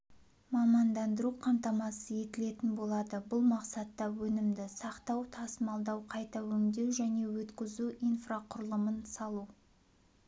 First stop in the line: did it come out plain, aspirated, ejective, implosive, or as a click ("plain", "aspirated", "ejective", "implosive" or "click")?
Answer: plain